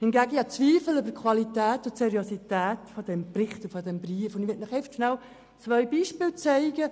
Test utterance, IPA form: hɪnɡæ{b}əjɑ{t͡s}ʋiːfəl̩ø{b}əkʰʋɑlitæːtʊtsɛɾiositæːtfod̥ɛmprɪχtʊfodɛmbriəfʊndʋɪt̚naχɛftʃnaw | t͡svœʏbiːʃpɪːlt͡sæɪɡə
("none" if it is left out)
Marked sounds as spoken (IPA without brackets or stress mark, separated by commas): ɡ, t͡s, b